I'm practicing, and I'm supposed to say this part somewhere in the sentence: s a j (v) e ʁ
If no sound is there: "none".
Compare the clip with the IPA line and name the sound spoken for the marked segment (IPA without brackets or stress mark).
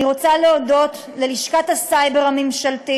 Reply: b